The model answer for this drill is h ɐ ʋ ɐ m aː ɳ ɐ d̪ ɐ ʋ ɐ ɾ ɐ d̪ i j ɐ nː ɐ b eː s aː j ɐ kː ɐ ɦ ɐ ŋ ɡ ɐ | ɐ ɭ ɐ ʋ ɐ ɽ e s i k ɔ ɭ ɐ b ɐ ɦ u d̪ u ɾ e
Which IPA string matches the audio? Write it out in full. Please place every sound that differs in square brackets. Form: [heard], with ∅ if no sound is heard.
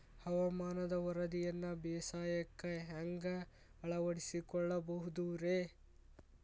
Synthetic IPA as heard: h ɐ ʋ ɐ m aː [n] ɐ d̪ ɐ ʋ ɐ ɾ ɐ d̪ i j ɐ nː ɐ b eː s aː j ɐ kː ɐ ɦ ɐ ŋ ɡ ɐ | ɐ ɭ ɐ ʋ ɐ ɽ [i] s i k ɔ [ɭː] ɐ b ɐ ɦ u d̪ u ɾ e